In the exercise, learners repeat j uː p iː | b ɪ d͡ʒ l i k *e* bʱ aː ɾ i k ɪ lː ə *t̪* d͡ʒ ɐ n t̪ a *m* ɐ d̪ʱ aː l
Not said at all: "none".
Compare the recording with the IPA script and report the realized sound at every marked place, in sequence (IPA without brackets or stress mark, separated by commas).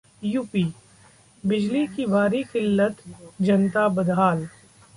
i, t̪, b